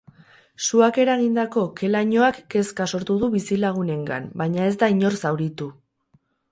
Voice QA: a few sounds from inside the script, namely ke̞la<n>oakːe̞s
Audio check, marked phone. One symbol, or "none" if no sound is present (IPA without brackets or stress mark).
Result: ɲ